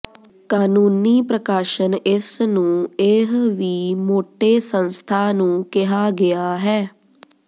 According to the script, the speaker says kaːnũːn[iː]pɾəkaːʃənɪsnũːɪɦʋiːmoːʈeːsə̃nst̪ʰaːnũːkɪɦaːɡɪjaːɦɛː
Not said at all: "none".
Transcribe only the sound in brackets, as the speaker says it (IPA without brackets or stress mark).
iː